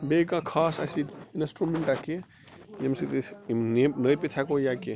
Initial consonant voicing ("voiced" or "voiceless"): voiced